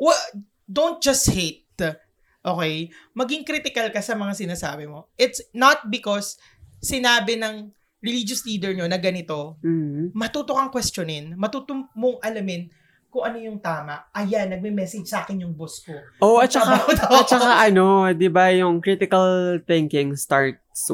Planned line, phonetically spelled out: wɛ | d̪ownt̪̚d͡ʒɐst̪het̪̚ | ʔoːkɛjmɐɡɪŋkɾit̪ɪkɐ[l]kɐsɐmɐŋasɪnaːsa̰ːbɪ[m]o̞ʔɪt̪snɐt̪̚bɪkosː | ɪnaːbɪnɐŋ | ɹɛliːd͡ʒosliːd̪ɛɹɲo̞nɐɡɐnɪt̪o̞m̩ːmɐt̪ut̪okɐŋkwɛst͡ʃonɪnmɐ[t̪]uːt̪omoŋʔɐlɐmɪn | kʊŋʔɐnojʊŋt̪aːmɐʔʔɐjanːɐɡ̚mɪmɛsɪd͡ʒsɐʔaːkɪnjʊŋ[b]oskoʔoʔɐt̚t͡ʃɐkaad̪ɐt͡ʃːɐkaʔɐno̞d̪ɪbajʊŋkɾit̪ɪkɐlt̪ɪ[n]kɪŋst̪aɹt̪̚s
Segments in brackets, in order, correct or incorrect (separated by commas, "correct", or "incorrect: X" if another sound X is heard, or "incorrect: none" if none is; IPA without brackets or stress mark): correct, correct, correct, correct, incorrect: ŋ